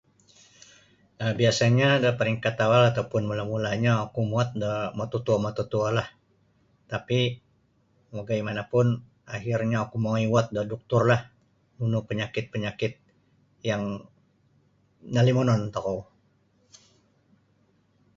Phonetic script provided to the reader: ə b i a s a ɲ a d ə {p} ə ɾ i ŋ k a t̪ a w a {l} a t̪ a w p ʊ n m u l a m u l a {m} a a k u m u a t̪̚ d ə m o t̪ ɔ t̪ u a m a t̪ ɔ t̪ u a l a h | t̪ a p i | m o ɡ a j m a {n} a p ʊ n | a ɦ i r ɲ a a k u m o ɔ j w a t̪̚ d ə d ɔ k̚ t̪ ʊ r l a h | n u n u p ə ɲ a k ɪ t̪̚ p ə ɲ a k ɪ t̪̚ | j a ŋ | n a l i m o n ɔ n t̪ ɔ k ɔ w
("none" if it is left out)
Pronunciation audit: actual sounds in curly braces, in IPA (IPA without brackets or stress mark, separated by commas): p, l, ɲ, n